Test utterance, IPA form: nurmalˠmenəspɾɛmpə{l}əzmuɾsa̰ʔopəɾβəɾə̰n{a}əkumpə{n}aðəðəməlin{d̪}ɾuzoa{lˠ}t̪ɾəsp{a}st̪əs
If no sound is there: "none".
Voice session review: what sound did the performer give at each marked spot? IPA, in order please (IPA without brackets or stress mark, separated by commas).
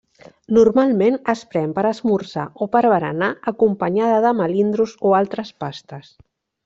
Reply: ɾ, a, ɲ, d̪, lˠ, a